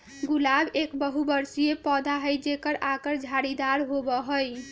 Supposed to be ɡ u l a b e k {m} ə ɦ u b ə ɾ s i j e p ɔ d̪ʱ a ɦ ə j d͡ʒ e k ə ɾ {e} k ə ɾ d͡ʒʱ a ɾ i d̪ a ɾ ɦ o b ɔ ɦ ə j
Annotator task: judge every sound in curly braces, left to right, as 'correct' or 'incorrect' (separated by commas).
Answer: incorrect, incorrect